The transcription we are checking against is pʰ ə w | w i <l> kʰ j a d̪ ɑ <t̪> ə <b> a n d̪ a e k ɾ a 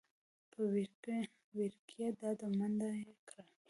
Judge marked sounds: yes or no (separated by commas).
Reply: no, no, no